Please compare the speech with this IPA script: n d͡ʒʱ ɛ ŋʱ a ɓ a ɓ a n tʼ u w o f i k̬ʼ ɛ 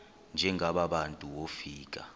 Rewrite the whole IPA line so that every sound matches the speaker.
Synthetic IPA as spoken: n d͡ʒʱ ɛ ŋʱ a ɓ a ɓ a n tʼ u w o f iː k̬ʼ a